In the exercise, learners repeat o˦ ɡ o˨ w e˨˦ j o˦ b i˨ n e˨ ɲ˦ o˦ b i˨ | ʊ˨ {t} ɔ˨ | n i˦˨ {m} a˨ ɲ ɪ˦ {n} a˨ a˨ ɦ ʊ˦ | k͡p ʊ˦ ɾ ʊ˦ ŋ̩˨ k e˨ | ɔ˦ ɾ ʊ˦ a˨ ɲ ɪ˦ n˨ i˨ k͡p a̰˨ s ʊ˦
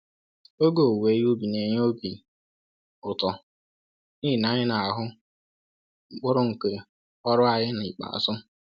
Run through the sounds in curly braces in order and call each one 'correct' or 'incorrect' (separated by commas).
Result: correct, incorrect, correct